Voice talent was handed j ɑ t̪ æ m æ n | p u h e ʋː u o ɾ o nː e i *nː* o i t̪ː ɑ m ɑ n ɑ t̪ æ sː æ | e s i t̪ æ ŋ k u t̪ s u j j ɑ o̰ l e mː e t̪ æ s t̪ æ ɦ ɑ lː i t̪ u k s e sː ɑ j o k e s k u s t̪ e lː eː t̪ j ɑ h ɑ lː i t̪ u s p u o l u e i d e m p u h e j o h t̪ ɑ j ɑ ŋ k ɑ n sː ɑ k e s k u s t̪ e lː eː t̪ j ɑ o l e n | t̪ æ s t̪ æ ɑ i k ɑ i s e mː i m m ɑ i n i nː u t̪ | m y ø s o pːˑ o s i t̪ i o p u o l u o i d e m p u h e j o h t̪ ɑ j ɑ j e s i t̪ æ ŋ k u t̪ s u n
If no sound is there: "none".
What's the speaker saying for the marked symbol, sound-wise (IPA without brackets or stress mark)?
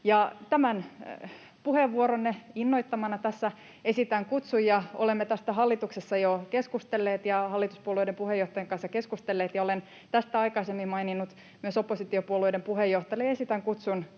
nː